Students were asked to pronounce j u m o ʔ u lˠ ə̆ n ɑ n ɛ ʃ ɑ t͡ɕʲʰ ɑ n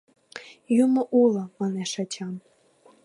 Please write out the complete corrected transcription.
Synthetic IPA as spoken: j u m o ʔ u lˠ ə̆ m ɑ n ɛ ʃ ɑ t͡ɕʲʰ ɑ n